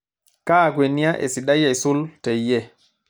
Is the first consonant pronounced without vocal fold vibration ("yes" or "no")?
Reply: yes